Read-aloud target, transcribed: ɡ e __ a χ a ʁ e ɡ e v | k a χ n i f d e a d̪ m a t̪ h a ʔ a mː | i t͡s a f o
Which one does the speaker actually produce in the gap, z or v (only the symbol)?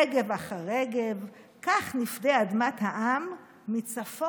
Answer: v